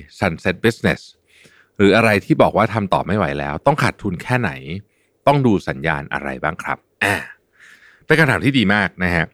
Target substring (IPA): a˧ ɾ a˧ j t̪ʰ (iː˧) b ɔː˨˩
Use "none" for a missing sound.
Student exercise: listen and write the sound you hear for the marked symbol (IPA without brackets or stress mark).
iː˥˩